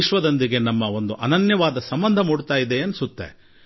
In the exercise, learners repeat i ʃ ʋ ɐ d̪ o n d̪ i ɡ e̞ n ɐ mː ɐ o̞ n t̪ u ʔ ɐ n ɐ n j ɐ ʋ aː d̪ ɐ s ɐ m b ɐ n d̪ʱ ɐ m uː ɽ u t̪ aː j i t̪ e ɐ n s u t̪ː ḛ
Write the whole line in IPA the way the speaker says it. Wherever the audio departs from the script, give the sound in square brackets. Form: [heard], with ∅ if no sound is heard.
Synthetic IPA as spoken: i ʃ ʋ ɐ d̪ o n d̪ i ɡ e̞ n ɐ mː ɐ o̞ n [d̪] u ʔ ɐ n ɐ n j ɐ ʋ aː d̪ ɐ s ɐ m b ɐ n d̪ʱ ɐ m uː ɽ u t̪ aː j i [d̪] e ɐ n s u t̪ː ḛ